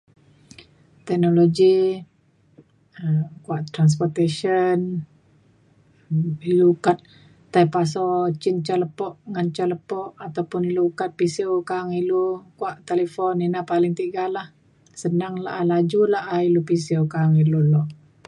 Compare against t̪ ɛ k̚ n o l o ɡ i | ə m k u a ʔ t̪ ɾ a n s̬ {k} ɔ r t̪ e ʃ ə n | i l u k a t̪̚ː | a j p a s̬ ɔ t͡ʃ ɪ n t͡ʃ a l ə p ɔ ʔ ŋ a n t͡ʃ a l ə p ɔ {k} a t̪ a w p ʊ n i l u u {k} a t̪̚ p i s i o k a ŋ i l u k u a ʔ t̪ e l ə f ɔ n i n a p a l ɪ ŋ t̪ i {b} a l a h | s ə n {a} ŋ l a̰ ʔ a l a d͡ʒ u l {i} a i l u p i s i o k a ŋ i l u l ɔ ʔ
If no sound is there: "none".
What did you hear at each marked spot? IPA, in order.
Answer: p, ʔ, k, ɡ, a, a

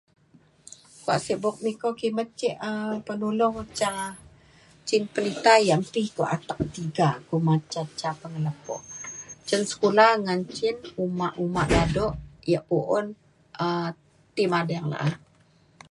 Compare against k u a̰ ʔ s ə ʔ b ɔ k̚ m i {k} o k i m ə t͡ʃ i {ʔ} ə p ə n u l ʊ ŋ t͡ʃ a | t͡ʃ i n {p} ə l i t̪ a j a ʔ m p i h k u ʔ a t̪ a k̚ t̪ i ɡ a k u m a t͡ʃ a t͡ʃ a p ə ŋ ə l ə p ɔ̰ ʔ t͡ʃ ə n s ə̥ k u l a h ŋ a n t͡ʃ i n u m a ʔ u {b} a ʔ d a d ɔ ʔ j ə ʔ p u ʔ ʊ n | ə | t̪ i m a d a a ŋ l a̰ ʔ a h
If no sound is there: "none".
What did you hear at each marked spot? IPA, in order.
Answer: k, ʔ, p, m

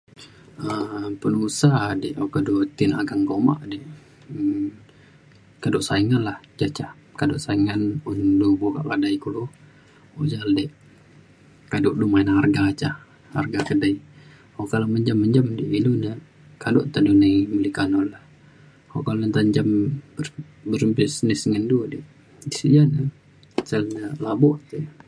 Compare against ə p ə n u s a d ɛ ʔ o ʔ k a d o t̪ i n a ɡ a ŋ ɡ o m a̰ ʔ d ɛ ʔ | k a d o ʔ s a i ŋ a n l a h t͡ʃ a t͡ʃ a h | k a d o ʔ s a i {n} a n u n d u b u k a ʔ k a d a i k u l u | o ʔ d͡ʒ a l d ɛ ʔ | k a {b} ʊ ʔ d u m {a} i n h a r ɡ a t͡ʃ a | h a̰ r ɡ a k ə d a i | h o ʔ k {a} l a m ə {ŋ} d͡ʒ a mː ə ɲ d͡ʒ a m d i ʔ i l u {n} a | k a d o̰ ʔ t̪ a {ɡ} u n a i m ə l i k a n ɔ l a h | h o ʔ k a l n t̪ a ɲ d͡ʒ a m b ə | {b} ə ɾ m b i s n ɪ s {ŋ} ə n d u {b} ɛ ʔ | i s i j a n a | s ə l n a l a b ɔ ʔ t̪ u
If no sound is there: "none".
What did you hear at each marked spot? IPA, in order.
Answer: ŋ, d, a, a, ɲ, n, d, b, ŋ, d

